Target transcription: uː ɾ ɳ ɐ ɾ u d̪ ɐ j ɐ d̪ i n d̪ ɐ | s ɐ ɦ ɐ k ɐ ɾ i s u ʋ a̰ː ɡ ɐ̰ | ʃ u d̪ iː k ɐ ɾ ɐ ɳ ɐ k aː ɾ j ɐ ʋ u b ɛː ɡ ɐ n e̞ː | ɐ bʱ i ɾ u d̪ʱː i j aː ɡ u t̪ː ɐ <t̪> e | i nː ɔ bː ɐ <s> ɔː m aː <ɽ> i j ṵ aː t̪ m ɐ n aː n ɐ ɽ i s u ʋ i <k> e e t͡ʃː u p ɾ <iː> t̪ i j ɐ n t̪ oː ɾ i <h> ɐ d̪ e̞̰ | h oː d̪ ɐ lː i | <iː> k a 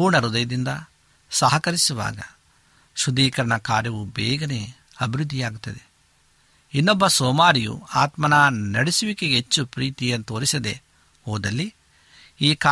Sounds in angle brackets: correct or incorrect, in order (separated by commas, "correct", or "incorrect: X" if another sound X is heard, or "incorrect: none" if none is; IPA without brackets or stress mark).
incorrect: d̪, correct, incorrect: ɾ, correct, correct, incorrect: s, correct